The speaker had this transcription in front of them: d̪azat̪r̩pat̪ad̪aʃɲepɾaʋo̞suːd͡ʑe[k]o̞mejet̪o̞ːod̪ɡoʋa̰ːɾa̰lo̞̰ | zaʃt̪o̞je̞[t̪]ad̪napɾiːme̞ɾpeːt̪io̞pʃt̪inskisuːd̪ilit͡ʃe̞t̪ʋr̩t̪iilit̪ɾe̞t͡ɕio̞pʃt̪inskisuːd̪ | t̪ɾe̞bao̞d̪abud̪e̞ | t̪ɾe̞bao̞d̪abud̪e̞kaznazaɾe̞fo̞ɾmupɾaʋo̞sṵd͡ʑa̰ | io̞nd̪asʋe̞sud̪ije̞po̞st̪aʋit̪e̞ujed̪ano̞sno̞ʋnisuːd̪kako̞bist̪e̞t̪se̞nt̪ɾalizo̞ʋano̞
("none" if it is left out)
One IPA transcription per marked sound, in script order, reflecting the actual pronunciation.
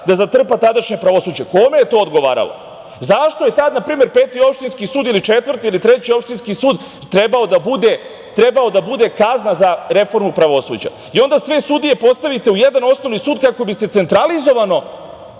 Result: k, t̪

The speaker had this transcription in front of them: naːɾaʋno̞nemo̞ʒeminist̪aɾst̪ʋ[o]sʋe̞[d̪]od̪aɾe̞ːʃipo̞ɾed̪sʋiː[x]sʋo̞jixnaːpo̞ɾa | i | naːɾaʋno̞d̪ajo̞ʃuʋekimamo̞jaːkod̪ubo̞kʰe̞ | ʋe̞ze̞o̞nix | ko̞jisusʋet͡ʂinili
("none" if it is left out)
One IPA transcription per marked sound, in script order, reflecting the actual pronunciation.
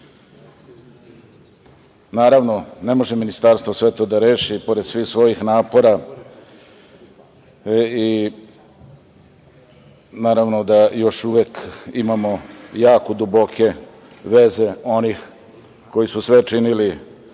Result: o, t̪, x

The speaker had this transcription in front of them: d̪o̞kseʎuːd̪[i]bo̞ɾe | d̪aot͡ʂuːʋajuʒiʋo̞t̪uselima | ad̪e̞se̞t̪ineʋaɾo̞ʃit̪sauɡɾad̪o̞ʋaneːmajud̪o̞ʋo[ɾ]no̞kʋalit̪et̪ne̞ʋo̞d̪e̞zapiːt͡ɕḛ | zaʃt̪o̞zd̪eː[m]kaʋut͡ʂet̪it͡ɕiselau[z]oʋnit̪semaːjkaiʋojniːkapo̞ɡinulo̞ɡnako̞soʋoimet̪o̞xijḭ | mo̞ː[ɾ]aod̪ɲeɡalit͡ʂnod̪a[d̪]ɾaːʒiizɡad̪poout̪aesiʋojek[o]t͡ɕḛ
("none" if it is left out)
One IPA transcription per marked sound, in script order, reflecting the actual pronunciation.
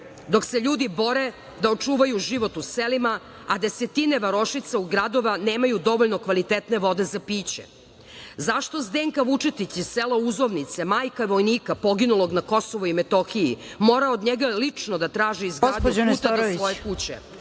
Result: i, ʎ, ŋ, z, ɾ, t̪, u

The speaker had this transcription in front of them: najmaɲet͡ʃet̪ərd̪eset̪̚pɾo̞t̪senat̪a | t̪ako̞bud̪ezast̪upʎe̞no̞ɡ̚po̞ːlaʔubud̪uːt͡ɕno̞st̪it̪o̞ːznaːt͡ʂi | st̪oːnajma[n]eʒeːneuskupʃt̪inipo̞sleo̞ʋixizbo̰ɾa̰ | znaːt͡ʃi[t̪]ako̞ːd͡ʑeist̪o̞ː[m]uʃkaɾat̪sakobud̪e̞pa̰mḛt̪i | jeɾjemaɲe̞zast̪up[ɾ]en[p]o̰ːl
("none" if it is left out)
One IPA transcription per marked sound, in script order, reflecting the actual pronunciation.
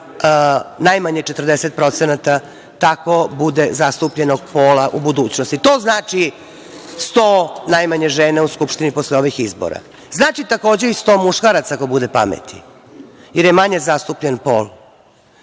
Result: ɲ, t̪, m, ʎ, p

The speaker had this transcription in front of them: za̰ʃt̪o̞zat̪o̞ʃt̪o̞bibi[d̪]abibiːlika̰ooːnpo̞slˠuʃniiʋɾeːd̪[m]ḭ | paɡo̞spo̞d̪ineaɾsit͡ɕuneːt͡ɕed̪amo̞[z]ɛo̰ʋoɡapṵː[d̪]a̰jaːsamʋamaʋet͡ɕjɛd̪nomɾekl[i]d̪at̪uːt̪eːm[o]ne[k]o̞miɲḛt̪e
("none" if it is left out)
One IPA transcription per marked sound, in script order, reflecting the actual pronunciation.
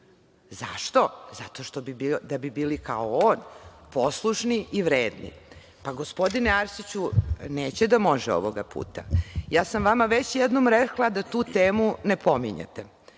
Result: d̪, n, ʒ, t̪, a, u, p

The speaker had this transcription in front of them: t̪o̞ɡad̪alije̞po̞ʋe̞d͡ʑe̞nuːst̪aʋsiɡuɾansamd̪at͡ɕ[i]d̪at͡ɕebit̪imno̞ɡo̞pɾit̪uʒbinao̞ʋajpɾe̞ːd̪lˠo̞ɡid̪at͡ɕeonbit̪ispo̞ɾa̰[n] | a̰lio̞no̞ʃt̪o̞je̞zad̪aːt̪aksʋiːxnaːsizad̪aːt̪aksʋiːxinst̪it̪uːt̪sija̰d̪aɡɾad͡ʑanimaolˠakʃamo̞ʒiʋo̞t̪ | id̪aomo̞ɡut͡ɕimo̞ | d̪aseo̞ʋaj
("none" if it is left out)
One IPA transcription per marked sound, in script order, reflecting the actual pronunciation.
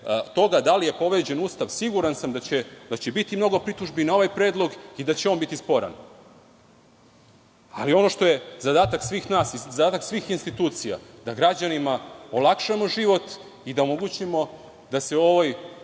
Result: e, n

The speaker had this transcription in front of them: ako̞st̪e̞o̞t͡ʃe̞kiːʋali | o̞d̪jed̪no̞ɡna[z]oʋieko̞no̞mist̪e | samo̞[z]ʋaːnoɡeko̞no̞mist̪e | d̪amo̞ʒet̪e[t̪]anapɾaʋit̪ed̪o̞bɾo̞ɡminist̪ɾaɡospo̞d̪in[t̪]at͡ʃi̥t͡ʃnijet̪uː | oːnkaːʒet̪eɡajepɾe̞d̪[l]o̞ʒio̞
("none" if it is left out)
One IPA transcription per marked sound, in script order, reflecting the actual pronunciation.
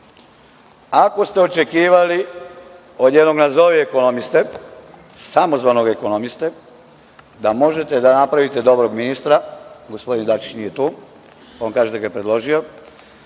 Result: z, z, d̪, d̪, l

